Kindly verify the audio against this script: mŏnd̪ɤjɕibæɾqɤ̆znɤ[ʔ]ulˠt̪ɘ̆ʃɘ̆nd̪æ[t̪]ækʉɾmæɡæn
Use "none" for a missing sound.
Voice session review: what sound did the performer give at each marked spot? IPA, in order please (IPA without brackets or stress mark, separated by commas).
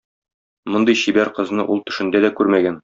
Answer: ʔ, d̪